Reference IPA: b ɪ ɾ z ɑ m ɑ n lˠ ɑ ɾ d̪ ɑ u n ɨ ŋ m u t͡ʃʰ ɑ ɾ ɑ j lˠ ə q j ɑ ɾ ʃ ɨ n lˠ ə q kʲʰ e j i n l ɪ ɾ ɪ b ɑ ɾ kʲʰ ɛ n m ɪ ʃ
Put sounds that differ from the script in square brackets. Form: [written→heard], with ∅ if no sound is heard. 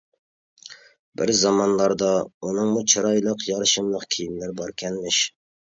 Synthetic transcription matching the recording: b ɪ ɾ z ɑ m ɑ n lˠ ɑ ɾ d̪ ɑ u n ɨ ŋ m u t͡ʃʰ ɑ ɾ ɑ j lˠ ə q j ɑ ɾ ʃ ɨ [n→m] lˠ ə q kʲʰ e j i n l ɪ ɾ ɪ b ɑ ɾ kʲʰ ɛ n m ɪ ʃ